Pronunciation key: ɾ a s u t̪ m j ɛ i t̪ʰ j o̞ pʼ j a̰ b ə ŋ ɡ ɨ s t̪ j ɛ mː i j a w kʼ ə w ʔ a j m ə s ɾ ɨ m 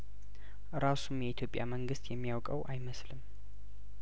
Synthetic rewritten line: ɾ a s u m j ɛ i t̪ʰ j o̞ pʼ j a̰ m ə ŋ ɡ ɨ s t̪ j ɛ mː i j a w kʼ ə w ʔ a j m ə s l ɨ m